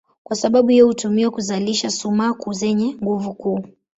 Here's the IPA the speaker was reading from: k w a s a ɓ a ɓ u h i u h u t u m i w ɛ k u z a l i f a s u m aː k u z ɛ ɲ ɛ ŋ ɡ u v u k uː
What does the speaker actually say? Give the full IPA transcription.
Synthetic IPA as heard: k w a s a ɓ a ɓ u h i ɔ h u t u m i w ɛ k u z a l i ʃ a s u m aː k u z ɛ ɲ ɛ ŋ ɡ u v u k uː